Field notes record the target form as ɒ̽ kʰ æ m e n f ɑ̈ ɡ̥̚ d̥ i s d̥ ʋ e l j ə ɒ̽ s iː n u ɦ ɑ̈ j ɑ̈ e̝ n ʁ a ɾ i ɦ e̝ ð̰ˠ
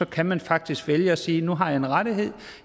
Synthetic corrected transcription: ɒ̽ kʰ æ m æ n f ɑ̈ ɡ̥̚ d̥ i s ɡ̥ ʋ e l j ə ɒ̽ s iː n u ɦ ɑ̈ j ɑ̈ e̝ n ʁ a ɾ i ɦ e̝ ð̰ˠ